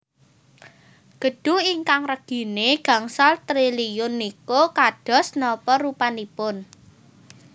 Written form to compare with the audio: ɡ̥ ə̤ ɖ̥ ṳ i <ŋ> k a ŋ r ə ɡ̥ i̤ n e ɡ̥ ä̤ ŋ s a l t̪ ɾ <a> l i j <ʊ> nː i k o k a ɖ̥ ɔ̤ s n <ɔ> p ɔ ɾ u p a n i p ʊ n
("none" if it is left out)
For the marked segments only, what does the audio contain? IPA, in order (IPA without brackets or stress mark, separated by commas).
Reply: ŋ, i, ʊ, ɔ